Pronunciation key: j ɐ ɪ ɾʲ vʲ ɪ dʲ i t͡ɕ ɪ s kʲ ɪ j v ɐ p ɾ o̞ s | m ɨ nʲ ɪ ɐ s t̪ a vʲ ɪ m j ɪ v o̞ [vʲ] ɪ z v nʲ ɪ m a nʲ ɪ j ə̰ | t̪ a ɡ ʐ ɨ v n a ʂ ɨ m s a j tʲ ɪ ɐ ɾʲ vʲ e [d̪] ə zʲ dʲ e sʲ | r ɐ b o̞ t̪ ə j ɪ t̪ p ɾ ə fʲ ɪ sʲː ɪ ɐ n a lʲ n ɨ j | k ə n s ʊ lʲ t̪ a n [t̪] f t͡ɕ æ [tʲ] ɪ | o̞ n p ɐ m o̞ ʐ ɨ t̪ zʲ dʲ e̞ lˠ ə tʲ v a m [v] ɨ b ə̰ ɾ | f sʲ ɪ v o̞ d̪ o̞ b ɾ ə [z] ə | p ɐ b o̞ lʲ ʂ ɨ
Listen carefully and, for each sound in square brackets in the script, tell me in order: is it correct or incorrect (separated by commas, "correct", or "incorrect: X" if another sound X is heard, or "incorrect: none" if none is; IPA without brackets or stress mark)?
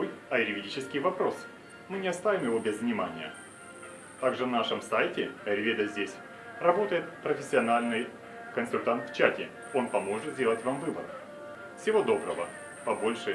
incorrect: bʲ, correct, correct, correct, correct, incorrect: v